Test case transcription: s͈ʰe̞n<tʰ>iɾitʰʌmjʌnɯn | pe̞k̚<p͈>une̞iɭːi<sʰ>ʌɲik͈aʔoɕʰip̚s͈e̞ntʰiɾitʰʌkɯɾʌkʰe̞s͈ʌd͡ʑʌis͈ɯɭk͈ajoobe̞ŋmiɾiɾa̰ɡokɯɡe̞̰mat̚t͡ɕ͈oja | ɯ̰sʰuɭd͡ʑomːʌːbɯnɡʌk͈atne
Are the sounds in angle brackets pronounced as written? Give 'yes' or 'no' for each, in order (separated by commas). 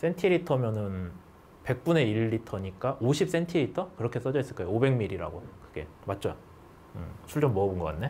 yes, yes, no